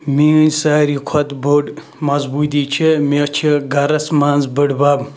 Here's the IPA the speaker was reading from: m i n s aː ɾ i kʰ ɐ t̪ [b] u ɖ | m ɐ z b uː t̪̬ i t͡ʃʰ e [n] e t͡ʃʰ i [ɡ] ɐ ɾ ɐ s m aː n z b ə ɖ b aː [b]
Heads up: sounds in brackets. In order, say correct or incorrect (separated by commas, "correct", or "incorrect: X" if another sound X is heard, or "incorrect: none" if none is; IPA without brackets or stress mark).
correct, incorrect: m, correct, correct